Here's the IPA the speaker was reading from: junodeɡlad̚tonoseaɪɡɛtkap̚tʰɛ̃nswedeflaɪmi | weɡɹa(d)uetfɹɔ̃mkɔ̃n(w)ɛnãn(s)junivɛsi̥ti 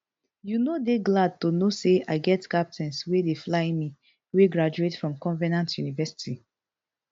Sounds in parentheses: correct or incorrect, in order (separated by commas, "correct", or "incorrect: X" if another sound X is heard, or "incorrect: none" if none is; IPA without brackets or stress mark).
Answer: incorrect: d͡ʒ, incorrect: v, incorrect: t